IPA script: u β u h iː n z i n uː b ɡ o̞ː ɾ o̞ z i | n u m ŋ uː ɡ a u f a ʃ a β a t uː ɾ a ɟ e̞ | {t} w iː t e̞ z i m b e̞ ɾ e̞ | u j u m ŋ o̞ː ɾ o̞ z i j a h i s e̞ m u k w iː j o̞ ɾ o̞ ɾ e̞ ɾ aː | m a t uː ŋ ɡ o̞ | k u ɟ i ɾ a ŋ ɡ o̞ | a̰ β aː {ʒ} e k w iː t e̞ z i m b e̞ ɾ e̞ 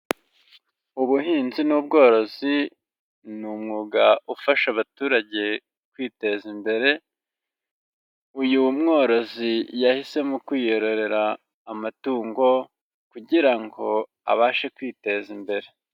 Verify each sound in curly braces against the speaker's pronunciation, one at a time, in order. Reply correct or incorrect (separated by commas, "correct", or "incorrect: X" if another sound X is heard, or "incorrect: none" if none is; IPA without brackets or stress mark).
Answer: incorrect: k, incorrect: ʃ